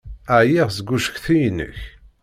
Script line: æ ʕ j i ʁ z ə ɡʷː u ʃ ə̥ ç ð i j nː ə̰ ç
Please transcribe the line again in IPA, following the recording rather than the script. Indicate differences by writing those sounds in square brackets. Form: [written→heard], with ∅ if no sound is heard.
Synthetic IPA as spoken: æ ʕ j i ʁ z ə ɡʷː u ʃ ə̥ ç [ð→θ] i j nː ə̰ ç